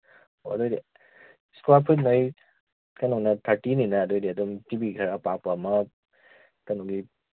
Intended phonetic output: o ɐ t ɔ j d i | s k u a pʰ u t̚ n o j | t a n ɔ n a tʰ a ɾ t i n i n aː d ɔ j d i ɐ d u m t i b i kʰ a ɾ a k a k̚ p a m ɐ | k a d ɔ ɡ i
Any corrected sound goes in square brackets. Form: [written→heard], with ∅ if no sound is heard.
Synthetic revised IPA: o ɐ [t→d] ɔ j d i | s k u a pʰ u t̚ n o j | [t→k] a n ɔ n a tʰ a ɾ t i n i n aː d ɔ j d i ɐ d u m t i b i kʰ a ɾ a [k→p] a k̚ p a m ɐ | k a [d→n] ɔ ɡ i